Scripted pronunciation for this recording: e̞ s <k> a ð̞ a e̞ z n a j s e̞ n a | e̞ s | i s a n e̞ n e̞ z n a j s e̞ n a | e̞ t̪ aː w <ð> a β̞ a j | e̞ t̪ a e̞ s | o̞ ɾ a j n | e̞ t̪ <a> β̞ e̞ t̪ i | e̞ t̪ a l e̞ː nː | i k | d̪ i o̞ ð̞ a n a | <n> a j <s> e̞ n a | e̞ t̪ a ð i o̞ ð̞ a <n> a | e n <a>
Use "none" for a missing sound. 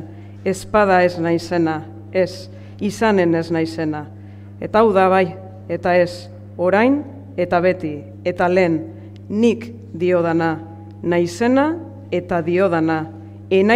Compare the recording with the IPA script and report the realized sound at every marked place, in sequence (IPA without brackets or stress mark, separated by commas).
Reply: p, ð, a, n, s, n, a